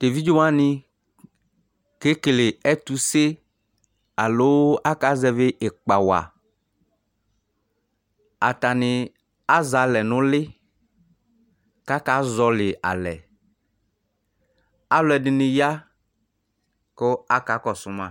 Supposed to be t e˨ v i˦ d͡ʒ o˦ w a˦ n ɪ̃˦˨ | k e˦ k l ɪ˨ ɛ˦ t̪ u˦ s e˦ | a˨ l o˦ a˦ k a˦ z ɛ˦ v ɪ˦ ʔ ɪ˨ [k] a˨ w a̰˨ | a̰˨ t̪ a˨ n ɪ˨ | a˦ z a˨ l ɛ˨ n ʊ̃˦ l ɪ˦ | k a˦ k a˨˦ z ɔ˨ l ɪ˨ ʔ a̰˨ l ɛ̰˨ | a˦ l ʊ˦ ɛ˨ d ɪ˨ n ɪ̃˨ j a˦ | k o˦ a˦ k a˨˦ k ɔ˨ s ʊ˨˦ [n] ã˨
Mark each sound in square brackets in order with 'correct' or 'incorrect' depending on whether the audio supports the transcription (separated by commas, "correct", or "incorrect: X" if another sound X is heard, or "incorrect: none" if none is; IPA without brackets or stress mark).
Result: incorrect: k͡p, incorrect: m